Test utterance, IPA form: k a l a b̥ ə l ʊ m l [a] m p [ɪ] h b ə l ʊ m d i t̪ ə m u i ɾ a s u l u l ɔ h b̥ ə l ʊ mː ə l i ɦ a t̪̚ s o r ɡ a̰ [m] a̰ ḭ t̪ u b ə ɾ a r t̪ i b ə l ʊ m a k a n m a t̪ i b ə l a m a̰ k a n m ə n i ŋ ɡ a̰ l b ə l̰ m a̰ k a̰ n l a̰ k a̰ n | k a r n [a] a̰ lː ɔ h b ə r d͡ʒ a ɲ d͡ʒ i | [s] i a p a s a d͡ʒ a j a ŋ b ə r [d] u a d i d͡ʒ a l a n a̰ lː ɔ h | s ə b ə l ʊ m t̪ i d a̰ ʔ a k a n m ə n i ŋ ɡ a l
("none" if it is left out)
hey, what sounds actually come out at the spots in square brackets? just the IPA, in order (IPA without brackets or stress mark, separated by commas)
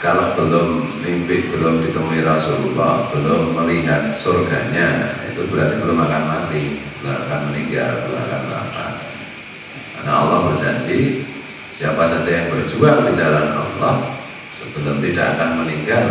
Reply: i, ɪ, ɲ, a, s, d͡ʒ